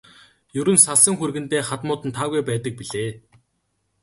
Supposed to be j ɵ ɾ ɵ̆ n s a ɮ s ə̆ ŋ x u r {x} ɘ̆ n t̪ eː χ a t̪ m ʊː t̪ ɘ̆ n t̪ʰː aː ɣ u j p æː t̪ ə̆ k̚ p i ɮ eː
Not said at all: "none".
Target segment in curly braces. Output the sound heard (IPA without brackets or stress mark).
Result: ɣ